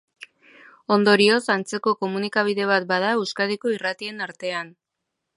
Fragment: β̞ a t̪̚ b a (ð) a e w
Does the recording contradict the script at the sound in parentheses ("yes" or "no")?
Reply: no